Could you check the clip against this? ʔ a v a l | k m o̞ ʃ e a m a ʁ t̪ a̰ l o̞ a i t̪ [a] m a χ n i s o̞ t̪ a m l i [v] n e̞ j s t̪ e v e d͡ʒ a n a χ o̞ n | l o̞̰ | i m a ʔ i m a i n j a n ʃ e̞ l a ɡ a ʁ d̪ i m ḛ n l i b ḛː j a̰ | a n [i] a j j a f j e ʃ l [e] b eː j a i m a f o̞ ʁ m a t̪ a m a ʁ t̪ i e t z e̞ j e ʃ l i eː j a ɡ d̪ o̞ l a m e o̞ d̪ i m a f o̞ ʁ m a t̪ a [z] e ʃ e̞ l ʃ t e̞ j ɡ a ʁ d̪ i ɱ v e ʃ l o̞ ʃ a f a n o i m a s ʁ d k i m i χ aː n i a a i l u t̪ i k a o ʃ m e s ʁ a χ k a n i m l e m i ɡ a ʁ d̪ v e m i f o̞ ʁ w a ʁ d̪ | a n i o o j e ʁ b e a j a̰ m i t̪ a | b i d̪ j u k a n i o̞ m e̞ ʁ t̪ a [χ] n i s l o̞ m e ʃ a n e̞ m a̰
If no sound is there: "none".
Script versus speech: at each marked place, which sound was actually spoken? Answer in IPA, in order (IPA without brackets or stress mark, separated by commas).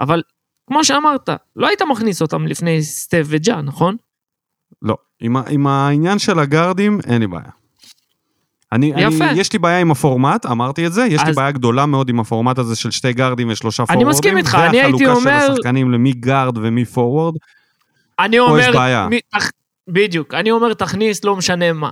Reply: a, f, i, i, z, χ